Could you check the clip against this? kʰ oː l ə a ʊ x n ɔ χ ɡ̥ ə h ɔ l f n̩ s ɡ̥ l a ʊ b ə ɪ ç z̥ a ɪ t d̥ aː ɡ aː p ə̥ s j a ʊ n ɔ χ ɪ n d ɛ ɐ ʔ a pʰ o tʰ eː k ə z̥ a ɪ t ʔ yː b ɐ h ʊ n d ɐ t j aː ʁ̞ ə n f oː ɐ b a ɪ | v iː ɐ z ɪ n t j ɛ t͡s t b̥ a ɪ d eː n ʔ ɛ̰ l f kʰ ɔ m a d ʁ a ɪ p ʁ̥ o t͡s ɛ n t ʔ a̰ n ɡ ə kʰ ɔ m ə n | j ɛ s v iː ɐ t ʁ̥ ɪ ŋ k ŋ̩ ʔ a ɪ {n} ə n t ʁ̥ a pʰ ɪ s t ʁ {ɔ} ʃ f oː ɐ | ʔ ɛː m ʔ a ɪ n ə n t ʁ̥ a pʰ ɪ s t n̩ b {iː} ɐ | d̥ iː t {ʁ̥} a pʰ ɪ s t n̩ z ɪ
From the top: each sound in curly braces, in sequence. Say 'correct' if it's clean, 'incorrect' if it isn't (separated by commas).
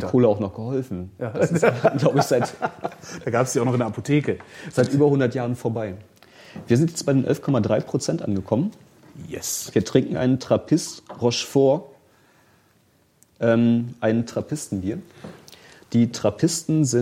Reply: correct, correct, correct, correct